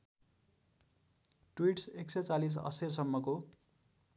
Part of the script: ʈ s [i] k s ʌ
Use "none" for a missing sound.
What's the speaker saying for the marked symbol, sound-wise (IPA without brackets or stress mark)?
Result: e